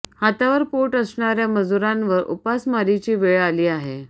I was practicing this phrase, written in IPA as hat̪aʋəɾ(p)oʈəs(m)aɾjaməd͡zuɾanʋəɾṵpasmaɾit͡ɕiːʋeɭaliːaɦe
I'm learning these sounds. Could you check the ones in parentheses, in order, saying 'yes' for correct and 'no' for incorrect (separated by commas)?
yes, no